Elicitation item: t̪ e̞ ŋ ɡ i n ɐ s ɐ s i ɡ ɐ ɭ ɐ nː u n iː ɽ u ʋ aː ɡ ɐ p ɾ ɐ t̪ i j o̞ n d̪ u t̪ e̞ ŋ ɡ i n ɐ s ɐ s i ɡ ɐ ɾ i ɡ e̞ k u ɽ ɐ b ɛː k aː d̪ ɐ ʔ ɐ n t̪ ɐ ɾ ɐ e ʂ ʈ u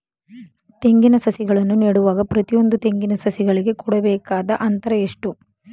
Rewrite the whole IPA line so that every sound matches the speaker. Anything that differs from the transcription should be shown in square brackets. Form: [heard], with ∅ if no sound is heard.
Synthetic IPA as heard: t̪ e̞ ŋ ɡ i n ɐ s ɐ s i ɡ ɐ ɭ ɐ nː u n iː ɽ u ʋ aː ɡ ɐ p ɾ ɐ t̪ i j o̞ n d̪ u t̪ e̞ ŋ ɡ i n ɐ s ɐ s i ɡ ɐ [ɭ] i ɡ e̞ k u ɽ ɐ b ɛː k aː d̪ ɐ ʔ ɐ n t̪ ɐ ɾ ɐ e ʂ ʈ u